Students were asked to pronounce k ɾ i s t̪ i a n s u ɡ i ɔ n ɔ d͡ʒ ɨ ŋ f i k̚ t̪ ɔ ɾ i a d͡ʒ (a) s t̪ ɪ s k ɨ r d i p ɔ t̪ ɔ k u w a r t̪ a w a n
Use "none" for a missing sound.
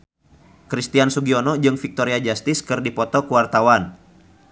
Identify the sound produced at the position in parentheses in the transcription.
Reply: a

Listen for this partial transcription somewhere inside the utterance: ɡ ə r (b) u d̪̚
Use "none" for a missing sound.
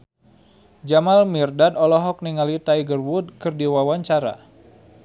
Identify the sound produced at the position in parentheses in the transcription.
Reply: w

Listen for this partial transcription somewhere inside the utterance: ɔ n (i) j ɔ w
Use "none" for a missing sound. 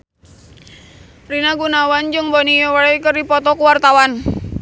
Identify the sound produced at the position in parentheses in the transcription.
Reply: i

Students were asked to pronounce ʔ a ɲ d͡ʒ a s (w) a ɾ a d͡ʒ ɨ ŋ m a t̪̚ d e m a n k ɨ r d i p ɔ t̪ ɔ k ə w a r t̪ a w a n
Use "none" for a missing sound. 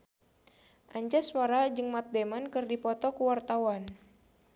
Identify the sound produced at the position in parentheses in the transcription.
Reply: w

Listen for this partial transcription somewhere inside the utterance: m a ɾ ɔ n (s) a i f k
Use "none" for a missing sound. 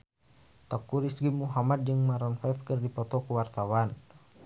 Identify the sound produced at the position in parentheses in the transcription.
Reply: f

